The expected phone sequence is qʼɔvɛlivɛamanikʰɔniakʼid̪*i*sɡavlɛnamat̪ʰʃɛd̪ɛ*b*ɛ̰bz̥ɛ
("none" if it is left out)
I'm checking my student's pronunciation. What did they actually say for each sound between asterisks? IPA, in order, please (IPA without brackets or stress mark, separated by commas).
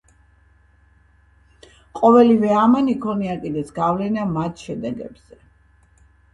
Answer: ɛ, ɡ